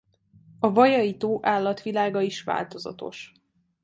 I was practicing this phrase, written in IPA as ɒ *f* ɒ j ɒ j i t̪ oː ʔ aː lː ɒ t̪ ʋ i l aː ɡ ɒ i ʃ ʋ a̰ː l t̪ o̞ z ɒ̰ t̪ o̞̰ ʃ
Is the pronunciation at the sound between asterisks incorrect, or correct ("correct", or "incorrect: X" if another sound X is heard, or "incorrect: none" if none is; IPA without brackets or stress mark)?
incorrect: v